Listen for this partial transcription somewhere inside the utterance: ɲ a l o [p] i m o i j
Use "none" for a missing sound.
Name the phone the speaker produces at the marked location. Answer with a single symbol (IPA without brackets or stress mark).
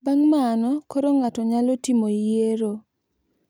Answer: t